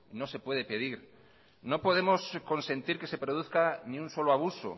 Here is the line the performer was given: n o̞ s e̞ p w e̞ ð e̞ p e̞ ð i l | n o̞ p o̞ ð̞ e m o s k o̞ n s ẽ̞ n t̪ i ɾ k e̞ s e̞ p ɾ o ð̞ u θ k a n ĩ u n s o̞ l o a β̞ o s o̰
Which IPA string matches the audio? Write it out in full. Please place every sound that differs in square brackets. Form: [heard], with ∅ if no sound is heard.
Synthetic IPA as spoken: n o̞ s e̞ p w e̞ ð e̞ p e̞ ð i [ɾ] | n o̞ p o̞ ð̞ e m o s k o̞ n s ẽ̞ n t̪ i ɾ k e̞ s e̞ p ɾ o ð̞ u θ k a n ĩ u n s o̞ l o a β̞ [u] s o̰